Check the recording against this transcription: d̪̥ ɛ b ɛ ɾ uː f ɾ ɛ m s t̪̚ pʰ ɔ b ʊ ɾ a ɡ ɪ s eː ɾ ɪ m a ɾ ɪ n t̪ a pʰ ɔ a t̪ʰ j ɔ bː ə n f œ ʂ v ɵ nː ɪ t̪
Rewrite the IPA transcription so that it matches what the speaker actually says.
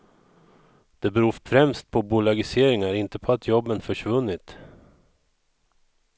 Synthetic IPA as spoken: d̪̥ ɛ b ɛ ɾ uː f ɾ ɛ m s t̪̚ pʰ ɔ b ʊ l a ɡ ɪ s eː ɾ ɪ ŋ a ɾ ɪ n t̪ ə pʰ ɔ a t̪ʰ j ɔ bː ə n f œ ʂ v ɵ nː ɪ t̪